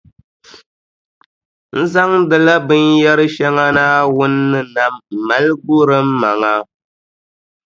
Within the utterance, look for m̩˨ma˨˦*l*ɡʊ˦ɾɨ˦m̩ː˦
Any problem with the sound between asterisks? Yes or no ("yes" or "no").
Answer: no